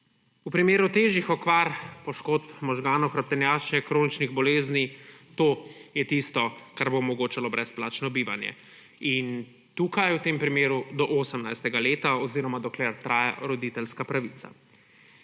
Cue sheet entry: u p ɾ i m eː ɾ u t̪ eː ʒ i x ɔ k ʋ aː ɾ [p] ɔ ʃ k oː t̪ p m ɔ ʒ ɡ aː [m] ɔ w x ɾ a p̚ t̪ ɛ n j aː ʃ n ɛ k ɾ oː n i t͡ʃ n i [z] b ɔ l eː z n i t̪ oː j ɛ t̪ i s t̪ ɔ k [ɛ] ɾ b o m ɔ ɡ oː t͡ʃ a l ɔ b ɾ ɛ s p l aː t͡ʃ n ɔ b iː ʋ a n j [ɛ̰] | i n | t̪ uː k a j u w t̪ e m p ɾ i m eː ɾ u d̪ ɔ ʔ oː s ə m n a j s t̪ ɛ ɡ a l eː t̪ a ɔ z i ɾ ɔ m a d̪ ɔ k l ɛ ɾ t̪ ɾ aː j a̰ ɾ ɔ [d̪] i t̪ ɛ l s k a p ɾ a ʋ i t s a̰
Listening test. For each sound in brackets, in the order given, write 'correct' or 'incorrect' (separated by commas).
correct, incorrect, incorrect, incorrect, correct, correct